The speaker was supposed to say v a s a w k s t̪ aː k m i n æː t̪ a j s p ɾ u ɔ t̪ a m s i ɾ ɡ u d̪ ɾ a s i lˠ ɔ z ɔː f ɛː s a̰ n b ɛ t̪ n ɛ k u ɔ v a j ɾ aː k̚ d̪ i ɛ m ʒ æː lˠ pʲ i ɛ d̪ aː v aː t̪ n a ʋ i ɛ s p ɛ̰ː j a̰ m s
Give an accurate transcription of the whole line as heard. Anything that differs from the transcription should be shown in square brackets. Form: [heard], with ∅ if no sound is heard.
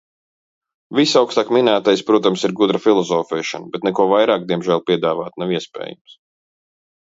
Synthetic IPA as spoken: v [i] s a w k s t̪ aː k m i n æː t̪ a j s p ɾ u ɔ t̪ a m s i ɾ ɡ u d̪ ɾ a [f] i lˠ ɔ z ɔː f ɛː [ʃ] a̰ n b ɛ t̪ n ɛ k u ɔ v a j ɾ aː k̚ d̪ i ɛ m ʒ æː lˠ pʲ i ɛ d̪ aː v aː t̪ n a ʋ i ɛ s p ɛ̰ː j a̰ m s